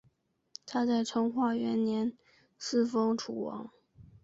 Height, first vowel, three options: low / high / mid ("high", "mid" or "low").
low